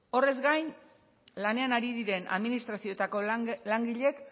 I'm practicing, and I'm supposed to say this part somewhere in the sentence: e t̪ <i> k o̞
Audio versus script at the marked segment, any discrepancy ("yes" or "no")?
yes